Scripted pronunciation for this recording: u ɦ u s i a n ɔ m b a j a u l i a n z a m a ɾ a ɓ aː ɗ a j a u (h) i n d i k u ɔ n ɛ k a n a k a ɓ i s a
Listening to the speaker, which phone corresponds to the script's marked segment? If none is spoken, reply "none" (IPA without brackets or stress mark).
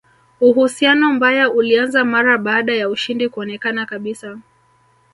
ʃ